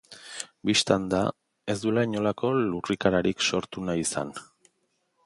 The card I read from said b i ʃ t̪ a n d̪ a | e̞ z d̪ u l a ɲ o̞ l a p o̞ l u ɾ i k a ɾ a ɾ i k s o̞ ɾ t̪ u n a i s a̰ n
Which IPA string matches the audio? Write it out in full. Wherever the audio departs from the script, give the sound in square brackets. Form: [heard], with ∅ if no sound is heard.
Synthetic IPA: b i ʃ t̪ a n d̪ a | e̞ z d̪ u l a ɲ o̞ l a [k] o̞ l u [r] i k a ɾ a ɾ i k s o̞ ɾ t̪ u n a i s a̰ n